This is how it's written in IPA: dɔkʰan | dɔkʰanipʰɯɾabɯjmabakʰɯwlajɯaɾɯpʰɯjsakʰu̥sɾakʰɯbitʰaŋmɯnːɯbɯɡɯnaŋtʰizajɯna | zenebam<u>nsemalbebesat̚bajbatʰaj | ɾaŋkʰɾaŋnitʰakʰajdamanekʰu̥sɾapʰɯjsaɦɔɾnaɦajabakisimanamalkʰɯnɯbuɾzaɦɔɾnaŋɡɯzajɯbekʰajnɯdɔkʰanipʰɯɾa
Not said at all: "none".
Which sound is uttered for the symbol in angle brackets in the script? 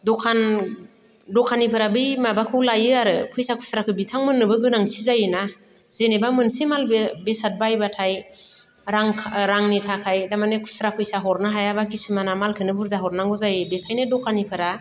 ɯ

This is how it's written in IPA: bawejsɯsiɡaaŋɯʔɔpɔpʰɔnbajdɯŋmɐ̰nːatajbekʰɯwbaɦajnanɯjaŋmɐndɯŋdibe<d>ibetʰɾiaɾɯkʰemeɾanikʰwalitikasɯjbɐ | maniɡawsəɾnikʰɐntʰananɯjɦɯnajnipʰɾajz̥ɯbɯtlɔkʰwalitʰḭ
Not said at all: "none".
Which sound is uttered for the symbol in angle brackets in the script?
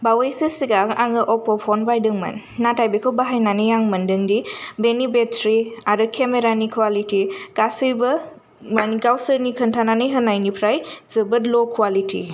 n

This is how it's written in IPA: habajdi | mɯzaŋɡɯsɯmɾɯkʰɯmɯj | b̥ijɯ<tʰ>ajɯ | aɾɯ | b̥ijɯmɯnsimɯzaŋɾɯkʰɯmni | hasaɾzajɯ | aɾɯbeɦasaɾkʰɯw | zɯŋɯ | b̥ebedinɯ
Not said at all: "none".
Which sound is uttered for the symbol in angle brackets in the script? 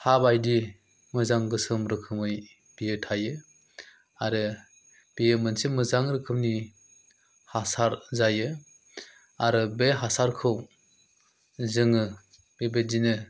tʰ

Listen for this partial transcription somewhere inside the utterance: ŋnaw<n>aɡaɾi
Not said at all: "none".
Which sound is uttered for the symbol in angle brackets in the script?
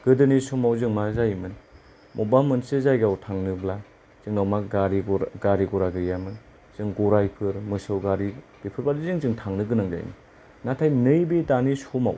m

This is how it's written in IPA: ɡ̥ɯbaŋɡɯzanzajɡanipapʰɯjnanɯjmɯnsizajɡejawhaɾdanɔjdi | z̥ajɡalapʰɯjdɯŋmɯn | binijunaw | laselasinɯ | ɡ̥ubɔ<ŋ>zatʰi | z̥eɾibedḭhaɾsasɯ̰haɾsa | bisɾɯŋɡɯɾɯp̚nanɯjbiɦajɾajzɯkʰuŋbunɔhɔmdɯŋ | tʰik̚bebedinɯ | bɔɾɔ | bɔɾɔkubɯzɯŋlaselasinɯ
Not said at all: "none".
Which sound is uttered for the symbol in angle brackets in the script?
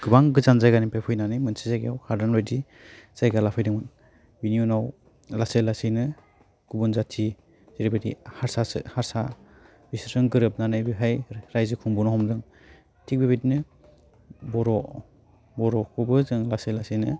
n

